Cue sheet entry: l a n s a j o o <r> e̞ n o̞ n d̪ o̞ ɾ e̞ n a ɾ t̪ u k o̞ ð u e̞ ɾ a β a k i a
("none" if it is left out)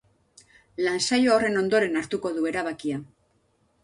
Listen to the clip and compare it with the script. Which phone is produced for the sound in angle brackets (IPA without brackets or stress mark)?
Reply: r